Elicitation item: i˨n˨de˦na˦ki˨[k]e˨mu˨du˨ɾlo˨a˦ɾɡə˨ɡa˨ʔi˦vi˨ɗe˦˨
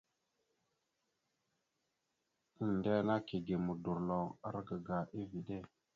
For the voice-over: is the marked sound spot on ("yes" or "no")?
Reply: no